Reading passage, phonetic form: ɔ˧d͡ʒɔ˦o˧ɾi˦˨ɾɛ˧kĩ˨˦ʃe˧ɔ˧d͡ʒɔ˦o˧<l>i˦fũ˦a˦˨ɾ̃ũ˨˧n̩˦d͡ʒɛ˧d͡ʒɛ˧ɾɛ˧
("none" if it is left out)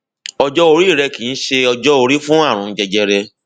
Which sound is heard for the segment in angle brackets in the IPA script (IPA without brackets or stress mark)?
ɾ